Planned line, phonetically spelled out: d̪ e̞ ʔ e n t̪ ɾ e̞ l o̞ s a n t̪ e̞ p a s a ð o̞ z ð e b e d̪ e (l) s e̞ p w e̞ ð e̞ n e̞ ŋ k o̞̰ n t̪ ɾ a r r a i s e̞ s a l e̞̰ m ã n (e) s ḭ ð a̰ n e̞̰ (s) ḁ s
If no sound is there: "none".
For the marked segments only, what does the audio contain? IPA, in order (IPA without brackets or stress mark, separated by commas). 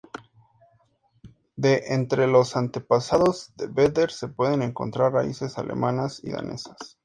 ɾ, a, s